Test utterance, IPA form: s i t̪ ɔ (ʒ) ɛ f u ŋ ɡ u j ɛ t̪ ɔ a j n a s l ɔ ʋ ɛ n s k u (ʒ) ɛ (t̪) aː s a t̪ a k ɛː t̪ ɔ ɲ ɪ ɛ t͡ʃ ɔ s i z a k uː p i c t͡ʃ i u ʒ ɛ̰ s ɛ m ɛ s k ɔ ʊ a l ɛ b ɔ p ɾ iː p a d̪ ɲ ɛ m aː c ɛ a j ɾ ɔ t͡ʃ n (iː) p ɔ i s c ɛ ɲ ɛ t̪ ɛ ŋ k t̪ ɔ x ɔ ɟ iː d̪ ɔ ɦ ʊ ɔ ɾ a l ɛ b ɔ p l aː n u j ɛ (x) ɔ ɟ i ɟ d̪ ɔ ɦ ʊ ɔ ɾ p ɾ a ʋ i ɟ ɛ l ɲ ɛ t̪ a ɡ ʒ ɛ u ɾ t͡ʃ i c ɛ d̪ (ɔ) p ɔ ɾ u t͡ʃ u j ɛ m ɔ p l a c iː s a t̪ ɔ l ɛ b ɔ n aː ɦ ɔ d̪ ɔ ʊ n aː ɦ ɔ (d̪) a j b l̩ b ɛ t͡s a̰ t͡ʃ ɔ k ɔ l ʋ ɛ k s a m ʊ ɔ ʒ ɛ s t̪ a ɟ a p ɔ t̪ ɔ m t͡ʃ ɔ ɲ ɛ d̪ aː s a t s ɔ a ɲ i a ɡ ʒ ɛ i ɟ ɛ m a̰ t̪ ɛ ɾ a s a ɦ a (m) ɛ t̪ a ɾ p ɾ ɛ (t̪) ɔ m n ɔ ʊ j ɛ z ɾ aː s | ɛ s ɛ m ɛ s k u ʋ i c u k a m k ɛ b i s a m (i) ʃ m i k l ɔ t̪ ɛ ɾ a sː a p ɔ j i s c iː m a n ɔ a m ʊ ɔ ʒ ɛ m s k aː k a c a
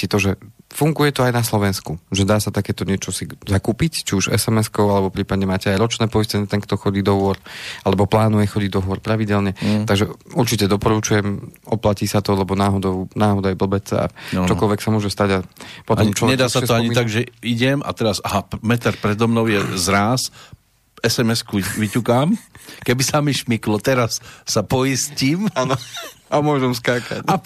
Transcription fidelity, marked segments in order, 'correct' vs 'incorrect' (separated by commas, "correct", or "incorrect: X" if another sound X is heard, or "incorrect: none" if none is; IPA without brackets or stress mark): correct, correct, incorrect: d̪, incorrect: ɛː, correct, correct, correct, correct, incorrect: d̪, correct